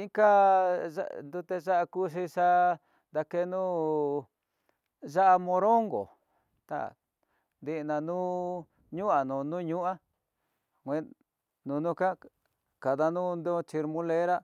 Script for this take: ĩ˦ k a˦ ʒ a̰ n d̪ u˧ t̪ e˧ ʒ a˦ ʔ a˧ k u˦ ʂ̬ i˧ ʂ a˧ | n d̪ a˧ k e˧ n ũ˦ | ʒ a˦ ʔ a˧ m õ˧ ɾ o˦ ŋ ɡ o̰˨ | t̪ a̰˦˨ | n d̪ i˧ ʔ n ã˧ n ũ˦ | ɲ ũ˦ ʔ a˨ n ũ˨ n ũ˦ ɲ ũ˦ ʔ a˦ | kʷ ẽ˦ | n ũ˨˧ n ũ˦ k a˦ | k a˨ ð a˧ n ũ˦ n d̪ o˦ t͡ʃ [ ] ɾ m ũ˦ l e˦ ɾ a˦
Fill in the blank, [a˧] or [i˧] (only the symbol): i˧